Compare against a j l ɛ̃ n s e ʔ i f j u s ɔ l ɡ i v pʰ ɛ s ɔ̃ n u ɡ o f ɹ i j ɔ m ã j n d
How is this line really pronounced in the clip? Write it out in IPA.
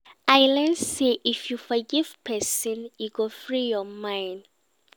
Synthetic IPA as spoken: a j l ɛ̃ n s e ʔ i f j u f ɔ ɡ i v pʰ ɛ s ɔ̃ n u ɡ o f ɹ i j ɔ m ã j n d

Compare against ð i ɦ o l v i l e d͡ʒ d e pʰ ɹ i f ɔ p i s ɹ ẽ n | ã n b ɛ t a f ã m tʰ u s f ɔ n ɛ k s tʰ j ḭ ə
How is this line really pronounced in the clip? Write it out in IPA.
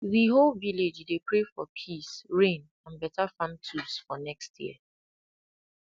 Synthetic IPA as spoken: ð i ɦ o l v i l e d͡ʒ d e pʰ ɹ e f ɔ pʰ i s ɹ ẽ n | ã n b ɛ t a f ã n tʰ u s f ɔ n ɛ k s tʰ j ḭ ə

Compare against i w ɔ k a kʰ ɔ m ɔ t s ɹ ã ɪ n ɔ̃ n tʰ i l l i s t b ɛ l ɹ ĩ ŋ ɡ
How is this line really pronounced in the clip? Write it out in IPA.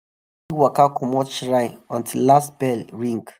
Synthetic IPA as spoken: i w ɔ k a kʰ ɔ m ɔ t ʃ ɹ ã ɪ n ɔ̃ n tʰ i l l a s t b ɛ l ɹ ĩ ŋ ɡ

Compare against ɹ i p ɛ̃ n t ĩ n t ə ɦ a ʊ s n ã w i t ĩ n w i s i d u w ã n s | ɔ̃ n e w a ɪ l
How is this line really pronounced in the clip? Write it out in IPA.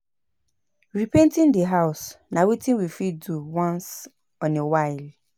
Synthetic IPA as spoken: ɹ i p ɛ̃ n t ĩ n d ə ɦ a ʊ s n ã w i t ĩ n w i f i d u w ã n s | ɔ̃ n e w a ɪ l

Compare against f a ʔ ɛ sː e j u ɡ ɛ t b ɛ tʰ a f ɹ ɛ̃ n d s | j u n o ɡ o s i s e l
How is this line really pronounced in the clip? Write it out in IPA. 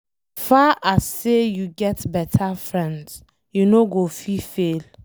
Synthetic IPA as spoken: f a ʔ a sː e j u ɡ ɛ t b ɛ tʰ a f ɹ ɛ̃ n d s | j u n o ɡ o f i f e l

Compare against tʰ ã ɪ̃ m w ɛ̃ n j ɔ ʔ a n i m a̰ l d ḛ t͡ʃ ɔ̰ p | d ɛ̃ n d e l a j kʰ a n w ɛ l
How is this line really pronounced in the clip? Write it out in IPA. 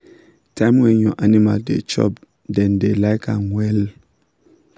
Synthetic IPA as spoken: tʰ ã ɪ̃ m w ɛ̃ n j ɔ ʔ a n i m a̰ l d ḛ t͡ʃ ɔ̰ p | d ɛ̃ n d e l a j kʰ a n w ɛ l

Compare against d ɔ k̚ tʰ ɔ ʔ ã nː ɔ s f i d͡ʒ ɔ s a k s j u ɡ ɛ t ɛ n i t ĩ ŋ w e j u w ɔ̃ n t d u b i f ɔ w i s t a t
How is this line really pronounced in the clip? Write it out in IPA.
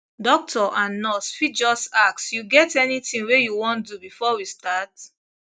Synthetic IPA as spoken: d ɔ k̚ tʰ ɔ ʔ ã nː ɔ s f i d͡ʒ ɔ s a k s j u ɡ ɛ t ɛ n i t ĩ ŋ w e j u w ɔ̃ n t d u b i f ɔ w i s t a t

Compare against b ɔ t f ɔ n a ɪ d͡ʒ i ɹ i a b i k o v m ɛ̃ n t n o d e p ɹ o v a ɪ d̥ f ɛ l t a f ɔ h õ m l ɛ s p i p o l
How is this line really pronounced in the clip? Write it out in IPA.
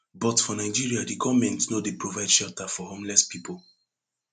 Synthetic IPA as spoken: b ɔ t f ɔ n a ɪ d͡ʒ i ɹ i a d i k ɔ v m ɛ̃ n t n o d e p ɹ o v a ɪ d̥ ʃ ɛ l t a f ɔ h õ m l ɛ s p i p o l

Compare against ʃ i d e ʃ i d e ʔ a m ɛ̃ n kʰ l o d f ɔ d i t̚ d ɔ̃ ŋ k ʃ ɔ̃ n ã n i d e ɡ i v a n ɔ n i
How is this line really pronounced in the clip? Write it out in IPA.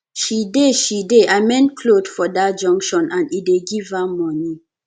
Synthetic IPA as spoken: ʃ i d e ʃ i d e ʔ a m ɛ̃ n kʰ l o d f ɔ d a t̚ d͡ʒ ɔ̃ ŋ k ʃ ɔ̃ n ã n i d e ɡ i v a m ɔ n i

